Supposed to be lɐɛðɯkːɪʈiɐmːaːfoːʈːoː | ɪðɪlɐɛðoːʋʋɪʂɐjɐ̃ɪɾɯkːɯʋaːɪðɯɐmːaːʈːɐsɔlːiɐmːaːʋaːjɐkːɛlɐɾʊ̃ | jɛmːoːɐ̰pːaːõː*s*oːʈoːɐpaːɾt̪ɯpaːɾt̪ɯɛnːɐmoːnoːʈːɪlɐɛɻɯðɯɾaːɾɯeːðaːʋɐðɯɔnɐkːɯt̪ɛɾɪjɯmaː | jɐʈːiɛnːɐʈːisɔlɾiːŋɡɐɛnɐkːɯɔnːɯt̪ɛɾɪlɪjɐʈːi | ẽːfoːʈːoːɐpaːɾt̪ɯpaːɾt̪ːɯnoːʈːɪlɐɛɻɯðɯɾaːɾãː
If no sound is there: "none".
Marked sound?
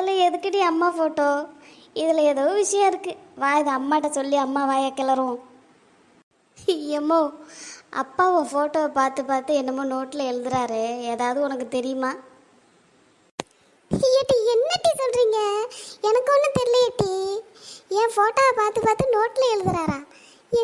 f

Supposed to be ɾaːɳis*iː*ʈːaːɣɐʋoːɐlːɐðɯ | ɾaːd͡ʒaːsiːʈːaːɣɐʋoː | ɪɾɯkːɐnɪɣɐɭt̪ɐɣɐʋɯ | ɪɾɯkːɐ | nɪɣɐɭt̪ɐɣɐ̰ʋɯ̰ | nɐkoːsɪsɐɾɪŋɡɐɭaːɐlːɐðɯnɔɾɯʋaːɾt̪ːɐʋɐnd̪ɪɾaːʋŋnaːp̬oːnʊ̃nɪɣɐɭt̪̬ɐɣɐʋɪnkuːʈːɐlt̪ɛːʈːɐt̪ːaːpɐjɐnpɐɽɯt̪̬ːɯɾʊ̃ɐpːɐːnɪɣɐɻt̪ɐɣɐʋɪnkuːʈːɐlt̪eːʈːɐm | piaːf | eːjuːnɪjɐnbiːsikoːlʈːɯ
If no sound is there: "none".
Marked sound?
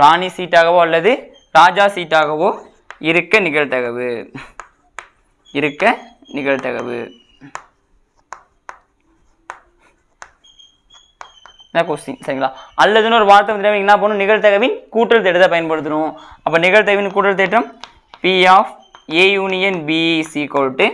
iː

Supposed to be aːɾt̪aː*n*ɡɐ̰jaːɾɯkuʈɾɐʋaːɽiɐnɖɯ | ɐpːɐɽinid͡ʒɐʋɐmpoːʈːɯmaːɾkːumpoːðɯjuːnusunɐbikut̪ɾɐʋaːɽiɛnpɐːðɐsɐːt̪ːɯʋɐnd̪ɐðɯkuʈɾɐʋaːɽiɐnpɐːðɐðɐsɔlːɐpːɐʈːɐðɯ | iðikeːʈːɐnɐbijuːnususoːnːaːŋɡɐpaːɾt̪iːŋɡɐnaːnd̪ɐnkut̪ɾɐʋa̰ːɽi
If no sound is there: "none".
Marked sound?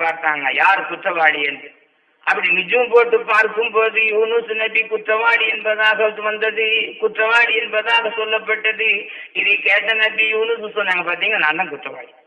ŋ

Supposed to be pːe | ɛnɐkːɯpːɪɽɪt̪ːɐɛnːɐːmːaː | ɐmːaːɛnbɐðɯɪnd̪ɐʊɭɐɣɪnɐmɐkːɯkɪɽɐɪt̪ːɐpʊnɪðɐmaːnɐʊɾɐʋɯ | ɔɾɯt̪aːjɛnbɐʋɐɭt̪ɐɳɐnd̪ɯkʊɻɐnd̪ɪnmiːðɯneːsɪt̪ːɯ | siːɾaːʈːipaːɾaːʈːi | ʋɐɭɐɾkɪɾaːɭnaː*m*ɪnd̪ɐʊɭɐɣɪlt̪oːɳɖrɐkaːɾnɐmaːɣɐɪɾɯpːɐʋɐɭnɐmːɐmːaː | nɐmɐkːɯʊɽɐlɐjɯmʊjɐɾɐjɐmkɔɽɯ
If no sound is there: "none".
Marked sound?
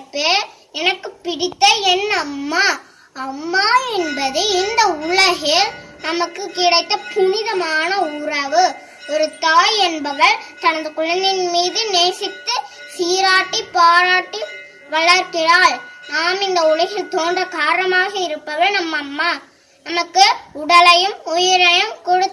m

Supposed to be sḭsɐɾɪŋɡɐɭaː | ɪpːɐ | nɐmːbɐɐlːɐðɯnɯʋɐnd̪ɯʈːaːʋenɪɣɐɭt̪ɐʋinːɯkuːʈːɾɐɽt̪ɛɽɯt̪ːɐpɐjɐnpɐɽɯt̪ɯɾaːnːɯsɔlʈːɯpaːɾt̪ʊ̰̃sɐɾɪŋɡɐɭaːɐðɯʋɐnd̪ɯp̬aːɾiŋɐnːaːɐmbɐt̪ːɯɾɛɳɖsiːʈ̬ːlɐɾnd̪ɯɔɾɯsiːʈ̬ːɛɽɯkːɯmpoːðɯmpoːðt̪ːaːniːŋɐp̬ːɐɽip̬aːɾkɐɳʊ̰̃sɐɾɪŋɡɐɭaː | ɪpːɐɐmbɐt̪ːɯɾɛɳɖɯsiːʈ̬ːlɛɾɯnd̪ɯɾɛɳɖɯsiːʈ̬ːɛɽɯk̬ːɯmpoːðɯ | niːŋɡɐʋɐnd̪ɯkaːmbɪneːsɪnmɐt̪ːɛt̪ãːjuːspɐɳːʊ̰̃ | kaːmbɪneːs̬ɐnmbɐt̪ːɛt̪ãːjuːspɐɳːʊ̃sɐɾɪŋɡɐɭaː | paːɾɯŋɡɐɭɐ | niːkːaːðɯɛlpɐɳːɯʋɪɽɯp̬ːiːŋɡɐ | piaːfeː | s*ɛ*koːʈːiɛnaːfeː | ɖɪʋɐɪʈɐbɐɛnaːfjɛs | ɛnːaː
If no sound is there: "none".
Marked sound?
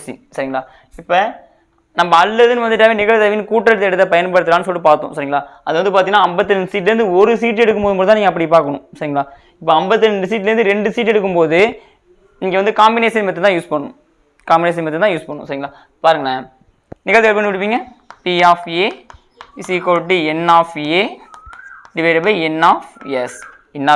i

